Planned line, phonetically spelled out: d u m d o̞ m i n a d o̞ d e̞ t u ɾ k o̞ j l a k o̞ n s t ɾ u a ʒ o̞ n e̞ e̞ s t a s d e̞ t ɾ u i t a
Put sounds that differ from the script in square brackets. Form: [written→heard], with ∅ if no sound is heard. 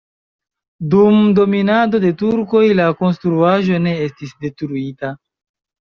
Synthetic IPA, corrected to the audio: d u m d o̞ m i n a d o̞ d e̞ t u ɾ k o̞ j l a k o̞ n s t ɾ u a ʒ o̞ n e̞ e̞ s t [a→i] s d e̞ t ɾ u i t a